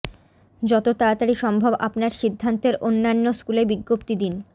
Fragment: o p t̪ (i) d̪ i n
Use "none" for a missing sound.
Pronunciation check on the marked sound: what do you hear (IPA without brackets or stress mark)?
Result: i